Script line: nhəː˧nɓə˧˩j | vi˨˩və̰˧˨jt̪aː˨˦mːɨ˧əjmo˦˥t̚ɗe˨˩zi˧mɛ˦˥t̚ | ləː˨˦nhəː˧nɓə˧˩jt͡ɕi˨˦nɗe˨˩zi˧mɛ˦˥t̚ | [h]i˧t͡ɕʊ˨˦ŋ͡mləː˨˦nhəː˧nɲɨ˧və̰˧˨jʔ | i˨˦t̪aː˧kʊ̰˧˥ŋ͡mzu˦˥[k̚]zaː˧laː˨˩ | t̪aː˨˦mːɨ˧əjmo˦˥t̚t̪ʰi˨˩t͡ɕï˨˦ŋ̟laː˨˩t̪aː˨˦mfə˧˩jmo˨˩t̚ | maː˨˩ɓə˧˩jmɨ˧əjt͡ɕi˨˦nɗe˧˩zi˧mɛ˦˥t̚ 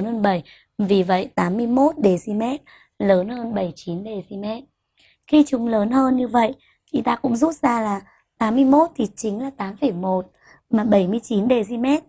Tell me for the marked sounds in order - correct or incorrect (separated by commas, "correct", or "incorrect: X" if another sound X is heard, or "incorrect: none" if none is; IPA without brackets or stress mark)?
incorrect: x, incorrect: t̚